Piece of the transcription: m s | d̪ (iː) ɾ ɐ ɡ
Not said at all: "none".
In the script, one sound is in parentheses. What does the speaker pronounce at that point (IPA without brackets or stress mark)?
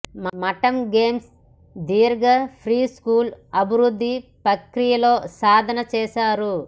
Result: iː